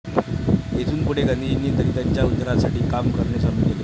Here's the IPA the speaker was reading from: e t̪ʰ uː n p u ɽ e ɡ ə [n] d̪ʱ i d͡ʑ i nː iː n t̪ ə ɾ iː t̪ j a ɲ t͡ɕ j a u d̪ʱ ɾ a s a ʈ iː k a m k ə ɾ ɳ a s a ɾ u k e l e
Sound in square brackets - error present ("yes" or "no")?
no